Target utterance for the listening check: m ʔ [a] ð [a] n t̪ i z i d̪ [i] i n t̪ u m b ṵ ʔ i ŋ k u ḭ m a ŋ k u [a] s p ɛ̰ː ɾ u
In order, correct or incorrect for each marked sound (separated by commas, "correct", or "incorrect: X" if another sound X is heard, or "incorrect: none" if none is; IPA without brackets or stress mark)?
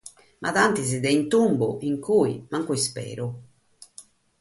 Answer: correct, correct, incorrect: ɛ, incorrect: i